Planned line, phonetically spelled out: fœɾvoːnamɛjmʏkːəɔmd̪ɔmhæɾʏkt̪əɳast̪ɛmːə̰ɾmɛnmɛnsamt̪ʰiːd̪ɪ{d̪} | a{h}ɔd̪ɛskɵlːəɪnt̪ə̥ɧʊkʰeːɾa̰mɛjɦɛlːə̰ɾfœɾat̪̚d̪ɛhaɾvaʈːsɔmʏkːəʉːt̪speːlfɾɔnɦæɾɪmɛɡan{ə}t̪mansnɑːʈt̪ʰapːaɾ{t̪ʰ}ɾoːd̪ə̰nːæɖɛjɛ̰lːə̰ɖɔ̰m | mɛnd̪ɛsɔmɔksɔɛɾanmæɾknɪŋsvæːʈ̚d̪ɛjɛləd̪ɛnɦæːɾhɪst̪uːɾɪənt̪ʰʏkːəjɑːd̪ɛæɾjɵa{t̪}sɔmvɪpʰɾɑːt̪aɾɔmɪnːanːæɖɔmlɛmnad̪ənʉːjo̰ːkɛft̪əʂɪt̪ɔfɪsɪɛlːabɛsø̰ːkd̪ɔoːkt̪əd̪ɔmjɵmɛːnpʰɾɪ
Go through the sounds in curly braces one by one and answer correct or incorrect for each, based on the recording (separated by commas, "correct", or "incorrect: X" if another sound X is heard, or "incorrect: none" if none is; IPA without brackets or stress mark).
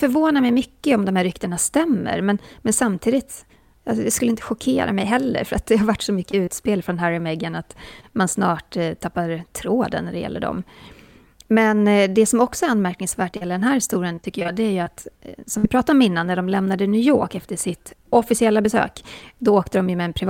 incorrect: t̪, incorrect: s, incorrect: a, correct, correct